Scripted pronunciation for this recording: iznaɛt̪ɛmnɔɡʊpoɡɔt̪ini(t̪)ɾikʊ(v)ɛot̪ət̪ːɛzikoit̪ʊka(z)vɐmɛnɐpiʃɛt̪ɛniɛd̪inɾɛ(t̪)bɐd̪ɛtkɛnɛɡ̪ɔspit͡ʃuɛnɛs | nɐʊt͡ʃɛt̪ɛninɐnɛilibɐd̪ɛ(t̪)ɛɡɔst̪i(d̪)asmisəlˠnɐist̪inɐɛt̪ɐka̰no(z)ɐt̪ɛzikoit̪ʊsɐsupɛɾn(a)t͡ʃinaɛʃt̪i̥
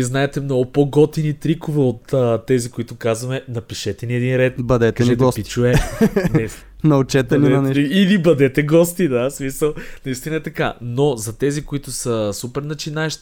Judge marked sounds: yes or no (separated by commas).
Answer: yes, yes, yes, yes, yes, yes, yes, no